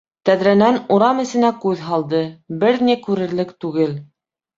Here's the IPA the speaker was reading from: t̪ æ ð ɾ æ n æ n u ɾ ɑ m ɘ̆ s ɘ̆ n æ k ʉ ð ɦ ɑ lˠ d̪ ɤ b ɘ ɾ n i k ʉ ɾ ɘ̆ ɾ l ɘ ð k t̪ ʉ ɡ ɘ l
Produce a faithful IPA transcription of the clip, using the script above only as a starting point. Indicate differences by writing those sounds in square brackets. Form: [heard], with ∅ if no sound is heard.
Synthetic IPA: t̪ æ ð ɾ æ n æ n u ɾ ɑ m ɘ̆ s ɘ̆ n æ k ʉ ð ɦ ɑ lˠ d̪ ɤ b ɘ ɾ n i k ʉ ɾ ɘ̆ ɾ l ɘ [∅] k t̪ ʉ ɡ ɘ l